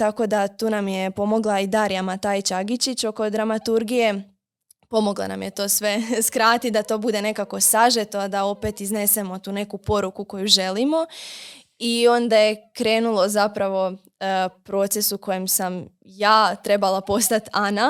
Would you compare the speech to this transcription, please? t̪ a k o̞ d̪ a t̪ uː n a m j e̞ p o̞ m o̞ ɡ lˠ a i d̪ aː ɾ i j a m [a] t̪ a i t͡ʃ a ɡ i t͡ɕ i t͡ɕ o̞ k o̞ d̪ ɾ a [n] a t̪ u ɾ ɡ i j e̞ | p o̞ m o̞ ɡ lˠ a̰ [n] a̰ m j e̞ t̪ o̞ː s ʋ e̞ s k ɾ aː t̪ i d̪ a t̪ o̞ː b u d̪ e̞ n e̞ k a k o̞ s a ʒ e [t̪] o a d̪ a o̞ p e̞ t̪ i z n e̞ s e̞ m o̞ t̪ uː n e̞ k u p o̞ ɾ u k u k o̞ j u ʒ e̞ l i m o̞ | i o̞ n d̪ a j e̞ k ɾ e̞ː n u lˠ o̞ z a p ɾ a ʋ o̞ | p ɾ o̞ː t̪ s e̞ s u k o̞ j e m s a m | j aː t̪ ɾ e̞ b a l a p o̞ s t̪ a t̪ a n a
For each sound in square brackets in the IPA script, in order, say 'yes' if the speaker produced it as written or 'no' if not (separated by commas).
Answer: yes, no, yes, yes